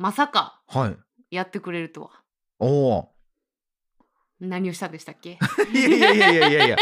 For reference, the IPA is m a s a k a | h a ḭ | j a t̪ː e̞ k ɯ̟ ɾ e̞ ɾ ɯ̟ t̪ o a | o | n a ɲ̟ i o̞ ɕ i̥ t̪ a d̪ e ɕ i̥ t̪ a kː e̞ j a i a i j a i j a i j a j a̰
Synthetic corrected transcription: m a s a k a | h a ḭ | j a t̪ː e̞ k ɯ̟ ɾ e̞ ɾ ɯ̟ t̪ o a | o | n a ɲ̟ i o̞ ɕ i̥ t̪ a d̪ e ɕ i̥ t̪ a kː e̞ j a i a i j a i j a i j a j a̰